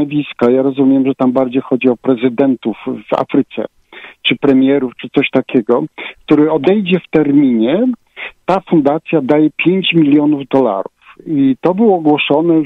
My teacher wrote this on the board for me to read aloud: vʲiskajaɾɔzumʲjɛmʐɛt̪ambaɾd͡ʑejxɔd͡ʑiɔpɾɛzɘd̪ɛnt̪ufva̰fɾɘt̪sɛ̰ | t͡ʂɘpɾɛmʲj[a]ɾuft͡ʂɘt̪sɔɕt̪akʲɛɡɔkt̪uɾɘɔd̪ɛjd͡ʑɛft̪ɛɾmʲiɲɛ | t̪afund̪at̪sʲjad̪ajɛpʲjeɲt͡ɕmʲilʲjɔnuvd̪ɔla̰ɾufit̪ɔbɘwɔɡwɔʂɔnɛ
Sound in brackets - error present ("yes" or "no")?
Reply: yes